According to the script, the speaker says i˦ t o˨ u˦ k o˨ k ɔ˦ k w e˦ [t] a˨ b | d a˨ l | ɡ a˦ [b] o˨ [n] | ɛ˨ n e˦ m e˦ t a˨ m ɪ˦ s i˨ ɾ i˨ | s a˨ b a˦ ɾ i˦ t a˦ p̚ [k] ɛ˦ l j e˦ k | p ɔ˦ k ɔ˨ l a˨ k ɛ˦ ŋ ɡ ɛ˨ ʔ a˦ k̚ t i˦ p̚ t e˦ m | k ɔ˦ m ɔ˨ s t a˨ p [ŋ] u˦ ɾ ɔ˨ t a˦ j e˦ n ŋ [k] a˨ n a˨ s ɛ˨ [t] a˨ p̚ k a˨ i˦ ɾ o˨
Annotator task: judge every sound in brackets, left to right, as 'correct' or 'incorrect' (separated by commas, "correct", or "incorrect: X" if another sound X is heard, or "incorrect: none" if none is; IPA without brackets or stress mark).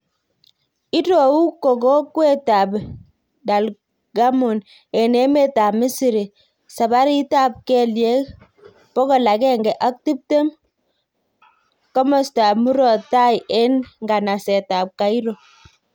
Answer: correct, incorrect: m, correct, correct, incorrect: m, incorrect: ɡ, correct